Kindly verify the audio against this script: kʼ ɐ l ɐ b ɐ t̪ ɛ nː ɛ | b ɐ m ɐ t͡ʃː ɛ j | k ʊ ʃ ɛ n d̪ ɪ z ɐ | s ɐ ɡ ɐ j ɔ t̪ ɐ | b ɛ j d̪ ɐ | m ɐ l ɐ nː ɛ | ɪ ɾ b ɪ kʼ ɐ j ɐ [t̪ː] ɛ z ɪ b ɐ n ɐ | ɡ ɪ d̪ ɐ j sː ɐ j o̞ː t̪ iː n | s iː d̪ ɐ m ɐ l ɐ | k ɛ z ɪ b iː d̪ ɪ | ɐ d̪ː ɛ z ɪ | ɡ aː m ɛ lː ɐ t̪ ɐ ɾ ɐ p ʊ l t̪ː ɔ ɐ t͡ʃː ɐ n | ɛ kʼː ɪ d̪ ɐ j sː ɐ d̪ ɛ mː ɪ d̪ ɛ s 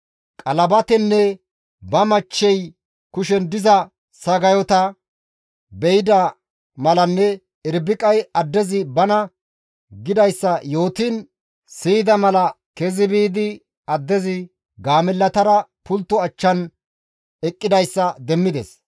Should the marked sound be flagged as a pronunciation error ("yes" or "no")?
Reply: yes